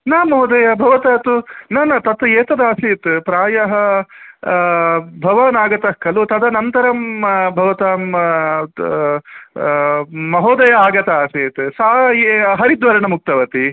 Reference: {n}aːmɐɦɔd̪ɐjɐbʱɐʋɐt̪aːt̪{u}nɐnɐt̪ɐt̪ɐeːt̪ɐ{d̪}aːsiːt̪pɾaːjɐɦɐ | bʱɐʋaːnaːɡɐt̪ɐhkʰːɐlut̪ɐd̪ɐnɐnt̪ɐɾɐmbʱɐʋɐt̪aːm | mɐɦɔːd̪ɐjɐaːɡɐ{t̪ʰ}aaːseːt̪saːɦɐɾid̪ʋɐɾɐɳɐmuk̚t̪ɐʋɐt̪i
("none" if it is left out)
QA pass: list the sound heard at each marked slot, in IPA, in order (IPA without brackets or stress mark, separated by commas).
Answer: n, u, d̪, t̪